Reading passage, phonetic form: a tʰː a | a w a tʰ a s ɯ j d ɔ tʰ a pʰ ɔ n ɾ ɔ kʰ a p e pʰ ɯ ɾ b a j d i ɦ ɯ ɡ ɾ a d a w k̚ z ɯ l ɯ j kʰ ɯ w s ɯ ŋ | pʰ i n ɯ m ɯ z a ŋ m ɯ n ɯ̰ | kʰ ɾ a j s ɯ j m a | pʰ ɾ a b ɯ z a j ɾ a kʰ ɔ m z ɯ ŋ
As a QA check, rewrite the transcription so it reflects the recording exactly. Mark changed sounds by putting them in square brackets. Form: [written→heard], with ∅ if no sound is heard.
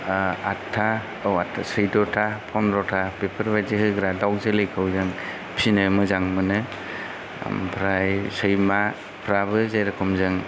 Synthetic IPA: a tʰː a | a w a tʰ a s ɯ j d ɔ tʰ a pʰ ɔ n ɾ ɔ [kʰ→tʰ] a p e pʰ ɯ ɾ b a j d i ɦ ɯ ɡ ɾ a d a w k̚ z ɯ l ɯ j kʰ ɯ w [s→z] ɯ ŋ | pʰ i n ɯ m ɯ z a ŋ m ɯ n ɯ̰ | [kʰ→pʰ] ɾ a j s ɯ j m a | pʰ ɾ a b ɯ z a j ɾ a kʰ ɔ m z ɯ ŋ